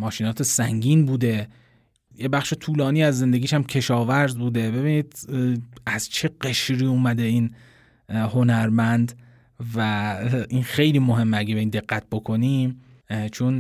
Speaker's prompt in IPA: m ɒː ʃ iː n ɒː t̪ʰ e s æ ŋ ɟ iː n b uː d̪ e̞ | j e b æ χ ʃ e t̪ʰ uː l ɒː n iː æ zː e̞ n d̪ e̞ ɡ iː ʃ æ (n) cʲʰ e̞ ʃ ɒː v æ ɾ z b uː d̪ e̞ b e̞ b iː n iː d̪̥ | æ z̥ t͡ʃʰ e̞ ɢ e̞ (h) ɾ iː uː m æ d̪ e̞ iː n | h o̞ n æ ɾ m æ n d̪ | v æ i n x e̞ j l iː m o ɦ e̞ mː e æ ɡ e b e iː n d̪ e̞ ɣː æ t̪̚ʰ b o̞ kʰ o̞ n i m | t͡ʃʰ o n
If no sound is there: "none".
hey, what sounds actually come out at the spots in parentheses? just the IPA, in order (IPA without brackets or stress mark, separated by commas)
m, ʃ